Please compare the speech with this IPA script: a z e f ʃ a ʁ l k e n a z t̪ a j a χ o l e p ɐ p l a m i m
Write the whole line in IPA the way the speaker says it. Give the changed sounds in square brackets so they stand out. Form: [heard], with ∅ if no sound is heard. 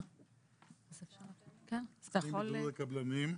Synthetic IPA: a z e f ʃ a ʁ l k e n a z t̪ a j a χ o l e [k] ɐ [b] l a [n] i m